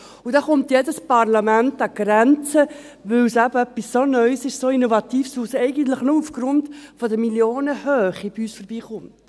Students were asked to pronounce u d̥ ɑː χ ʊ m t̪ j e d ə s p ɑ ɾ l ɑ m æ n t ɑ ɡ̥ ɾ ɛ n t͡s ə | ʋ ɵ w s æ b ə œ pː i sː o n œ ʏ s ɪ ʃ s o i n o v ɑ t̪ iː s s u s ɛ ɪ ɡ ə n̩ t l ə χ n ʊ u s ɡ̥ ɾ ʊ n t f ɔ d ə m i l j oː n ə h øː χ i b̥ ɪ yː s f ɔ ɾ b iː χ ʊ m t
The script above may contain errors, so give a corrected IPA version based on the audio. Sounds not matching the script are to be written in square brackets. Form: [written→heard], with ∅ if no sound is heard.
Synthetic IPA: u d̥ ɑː χ ʊ m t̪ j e d ə s p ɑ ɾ l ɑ m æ n t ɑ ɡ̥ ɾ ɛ n t͡s ə | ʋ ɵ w s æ b ə œ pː i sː o n œ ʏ s ɪ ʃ s o i n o v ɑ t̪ iː [s→f] s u s ɛ ɪ ɡ ə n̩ t l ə χ n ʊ u [s→f] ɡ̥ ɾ ʊ n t f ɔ d ə m i l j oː n ə h øː χ i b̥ [ɪ→i] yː s f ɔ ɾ b iː χ ʊ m t